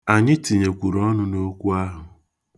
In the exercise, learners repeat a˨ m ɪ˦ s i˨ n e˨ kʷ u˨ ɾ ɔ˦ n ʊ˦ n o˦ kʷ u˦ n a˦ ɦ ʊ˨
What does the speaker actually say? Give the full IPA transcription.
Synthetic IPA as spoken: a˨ ɲ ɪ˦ t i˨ ɲ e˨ kʷ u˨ ɾ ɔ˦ n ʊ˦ n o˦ kʷ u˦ a˦ ɦ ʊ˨